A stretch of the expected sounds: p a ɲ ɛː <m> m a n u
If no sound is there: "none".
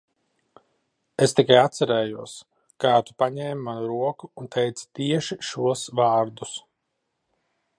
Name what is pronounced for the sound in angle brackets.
m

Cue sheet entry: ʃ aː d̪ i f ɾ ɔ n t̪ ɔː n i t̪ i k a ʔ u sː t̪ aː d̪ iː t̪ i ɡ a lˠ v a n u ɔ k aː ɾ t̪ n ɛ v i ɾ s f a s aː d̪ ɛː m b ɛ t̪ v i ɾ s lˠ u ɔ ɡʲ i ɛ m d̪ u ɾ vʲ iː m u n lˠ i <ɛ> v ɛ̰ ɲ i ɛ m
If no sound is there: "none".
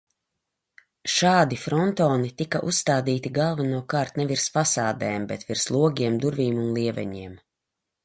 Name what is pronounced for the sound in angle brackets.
ɛ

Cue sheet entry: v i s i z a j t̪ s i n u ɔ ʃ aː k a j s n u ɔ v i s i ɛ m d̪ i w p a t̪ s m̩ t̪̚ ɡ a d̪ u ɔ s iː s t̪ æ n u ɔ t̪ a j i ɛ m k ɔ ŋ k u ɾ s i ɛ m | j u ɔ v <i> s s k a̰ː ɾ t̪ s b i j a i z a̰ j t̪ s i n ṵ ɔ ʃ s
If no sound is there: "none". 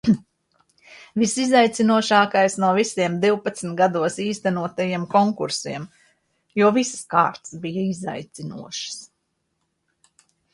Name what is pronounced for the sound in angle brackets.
i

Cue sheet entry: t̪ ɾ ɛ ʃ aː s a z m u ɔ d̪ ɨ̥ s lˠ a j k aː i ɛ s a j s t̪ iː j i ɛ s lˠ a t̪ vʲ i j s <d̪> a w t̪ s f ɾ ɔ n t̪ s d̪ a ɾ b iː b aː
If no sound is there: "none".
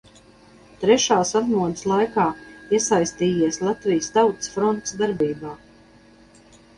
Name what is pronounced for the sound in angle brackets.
t̪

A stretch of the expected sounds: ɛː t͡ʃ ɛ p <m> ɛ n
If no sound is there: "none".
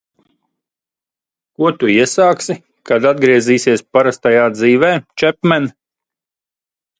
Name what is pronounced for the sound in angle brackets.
m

